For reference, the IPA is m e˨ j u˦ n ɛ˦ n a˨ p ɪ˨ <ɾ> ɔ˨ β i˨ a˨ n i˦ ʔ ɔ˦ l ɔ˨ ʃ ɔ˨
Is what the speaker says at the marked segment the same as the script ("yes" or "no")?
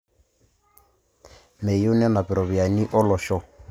yes